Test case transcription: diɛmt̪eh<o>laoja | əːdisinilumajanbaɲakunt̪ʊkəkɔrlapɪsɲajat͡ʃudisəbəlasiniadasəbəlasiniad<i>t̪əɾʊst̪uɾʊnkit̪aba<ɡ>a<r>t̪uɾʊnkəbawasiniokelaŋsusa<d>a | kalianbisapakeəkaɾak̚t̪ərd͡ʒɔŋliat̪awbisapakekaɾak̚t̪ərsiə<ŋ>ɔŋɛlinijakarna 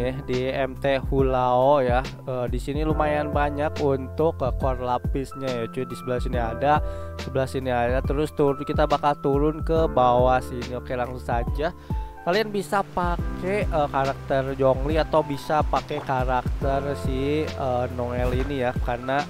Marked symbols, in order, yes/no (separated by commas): no, no, no, no, no, no